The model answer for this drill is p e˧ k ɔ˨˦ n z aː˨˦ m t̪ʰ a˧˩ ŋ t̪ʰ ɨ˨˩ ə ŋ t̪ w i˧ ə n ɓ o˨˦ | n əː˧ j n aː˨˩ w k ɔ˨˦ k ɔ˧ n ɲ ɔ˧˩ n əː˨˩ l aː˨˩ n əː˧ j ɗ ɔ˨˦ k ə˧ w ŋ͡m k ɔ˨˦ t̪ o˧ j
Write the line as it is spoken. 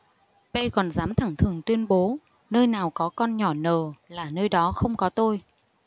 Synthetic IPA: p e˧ k ɔ˨˩ n z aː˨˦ m t̪ʰ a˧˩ ŋ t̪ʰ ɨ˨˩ ə ŋ t̪ w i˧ ə n ɓ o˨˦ | n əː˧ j n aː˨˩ w k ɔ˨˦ k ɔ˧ n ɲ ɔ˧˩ n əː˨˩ l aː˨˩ n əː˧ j ɗ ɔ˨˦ x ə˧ w ŋ͡m k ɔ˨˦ t̪ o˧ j